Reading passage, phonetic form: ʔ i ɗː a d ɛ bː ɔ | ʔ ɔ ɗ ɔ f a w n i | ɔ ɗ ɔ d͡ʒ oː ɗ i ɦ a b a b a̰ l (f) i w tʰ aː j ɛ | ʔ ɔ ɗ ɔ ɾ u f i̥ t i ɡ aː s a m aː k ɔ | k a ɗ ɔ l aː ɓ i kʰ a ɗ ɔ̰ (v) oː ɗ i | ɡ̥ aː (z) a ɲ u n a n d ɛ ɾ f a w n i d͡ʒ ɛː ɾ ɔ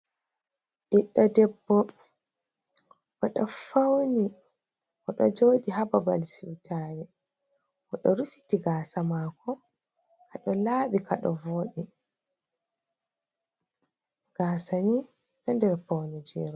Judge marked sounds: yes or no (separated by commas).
no, yes, no